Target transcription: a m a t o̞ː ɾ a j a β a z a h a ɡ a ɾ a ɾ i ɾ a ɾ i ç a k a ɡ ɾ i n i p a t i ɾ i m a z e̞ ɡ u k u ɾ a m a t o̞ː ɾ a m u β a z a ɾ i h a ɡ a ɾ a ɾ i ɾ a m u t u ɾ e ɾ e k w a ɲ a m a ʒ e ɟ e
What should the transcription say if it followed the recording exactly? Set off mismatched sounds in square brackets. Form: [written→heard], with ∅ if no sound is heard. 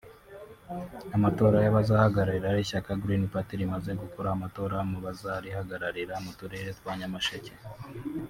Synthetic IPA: a m a t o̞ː ɾ a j a β a z a h a ɡ a ɾ a ɾ i ɾ a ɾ i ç a k a ɡ ɾ i n i p a t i ɾ i m a z e̞ ɡ u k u ɾ a m a t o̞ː ɾ a m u β a z a ɾ i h a ɡ a ɾ a ɾ i ɾ a m u t u ɾ e ɾ e [k→t] w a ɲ a m a [ʒ→ʃ] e [ɟ→c] e